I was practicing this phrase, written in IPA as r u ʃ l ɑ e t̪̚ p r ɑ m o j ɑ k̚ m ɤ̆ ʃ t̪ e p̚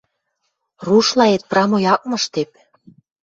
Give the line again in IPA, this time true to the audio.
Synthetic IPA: r u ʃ l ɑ e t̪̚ p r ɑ m o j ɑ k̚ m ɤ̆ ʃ t̪ e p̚